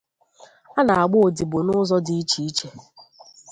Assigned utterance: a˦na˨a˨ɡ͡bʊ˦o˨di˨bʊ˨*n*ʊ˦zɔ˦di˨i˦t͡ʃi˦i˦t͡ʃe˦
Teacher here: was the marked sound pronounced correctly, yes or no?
yes